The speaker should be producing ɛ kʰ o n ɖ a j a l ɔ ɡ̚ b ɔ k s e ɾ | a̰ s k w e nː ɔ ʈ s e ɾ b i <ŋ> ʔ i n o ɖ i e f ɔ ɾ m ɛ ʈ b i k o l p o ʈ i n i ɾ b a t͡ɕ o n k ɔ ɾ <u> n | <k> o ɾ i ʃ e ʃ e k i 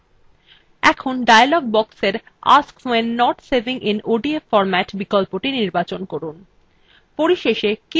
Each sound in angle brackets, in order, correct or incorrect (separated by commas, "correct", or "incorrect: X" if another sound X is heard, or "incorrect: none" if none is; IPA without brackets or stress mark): correct, correct, incorrect: p